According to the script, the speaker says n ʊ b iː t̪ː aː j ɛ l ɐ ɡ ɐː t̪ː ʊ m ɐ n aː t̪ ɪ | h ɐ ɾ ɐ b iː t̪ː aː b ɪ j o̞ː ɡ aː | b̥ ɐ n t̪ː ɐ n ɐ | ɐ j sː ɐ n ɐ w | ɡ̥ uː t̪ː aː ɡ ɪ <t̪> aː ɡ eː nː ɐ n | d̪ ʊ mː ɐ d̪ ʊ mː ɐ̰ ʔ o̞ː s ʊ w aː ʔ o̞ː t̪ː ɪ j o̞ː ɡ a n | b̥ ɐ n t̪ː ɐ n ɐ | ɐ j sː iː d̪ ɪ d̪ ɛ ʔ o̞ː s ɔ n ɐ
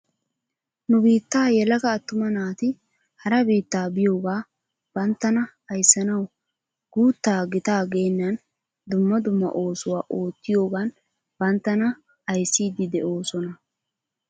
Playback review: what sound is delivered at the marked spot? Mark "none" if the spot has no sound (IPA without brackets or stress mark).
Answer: t̪